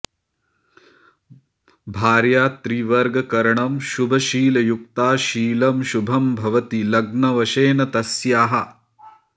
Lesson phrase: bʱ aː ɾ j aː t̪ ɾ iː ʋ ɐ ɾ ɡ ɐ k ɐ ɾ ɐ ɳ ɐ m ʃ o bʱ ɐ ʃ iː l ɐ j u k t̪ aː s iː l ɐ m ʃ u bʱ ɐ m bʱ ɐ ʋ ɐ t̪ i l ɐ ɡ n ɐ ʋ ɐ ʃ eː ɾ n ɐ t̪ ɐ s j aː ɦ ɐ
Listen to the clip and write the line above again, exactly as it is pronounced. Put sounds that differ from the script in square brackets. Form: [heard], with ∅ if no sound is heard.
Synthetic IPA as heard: bʱ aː ɾ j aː t̪ ɾ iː ʋ ɐ ɾ ɡ ɐ k ɐ ɾ ɐ ɳ ɐ m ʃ [u] bʱ ɐ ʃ iː l ɐ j u k t̪ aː [ʃ] iː l ɐ m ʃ u bʱ ɐ m bʱ ɐ ʋ ɐ t̪ i l ɐ ɡ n ɐ ʋ ɐ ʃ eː [∅] n ɐ t̪ ɐ s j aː ɦ ɐ